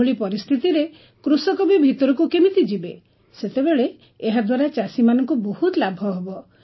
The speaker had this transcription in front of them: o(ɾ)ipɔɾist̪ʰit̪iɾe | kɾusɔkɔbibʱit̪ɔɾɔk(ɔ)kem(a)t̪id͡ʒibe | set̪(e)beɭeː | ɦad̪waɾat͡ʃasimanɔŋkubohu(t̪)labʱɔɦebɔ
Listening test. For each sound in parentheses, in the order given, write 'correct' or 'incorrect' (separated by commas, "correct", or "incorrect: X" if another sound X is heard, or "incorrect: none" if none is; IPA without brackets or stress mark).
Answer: incorrect: ɭ, incorrect: u, incorrect: i, correct, correct